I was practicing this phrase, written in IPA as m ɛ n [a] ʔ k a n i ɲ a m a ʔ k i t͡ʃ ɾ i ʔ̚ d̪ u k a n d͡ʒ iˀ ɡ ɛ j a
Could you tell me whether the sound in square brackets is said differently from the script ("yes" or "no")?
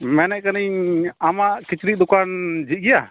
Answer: yes